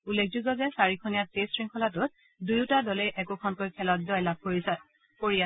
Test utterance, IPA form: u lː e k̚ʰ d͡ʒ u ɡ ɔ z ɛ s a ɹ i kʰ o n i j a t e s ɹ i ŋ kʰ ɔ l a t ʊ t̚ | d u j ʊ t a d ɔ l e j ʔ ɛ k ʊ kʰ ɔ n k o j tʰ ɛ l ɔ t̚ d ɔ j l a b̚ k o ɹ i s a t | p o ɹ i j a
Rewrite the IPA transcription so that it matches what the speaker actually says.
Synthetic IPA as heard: u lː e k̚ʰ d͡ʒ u ɡ ɔ z ɛ s a ɹ i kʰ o n i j a t e s ɹ i ŋ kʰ ɔ l a t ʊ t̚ | d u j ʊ t a d ɔ l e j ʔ ɛ k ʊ kʰ ɔ n k o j kʰ ɛ l ɔ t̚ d ɔ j l a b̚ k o ɹ i s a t | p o ɹ i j a